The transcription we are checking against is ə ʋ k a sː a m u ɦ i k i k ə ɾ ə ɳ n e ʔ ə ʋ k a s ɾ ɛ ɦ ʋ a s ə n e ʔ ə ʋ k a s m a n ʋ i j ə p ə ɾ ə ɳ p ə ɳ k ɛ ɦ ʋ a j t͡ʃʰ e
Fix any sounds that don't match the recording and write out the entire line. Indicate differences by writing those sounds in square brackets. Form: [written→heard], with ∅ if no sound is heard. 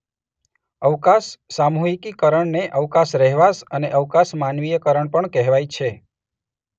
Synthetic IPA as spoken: ə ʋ k a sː a m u ɦ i k i k ə ɾ ə ɳ n e ʔ ə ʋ k a s ɾ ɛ ɦ ʋ a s ə n e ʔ ə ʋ k a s m a n ʋ i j ə [p→k] ə ɾ ə ɳ p ə ɳ k ɛ ɦ ʋ a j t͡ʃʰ e